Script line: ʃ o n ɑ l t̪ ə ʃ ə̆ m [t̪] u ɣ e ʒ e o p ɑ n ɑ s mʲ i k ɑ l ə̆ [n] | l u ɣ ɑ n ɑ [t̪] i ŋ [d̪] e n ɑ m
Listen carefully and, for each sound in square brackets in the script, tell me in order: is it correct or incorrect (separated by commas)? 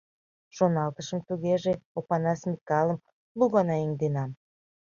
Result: correct, incorrect, incorrect, correct